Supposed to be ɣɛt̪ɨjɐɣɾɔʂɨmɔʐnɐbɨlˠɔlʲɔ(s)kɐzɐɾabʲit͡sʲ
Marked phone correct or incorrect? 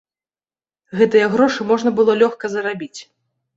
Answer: incorrect